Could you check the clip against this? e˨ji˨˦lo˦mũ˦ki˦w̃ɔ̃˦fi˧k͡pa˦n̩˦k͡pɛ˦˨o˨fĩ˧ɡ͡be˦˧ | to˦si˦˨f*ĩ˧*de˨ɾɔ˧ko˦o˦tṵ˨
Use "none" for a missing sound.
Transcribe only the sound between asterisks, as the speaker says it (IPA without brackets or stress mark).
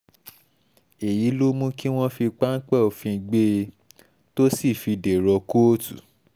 i˧